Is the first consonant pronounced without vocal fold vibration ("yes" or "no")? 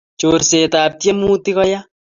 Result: yes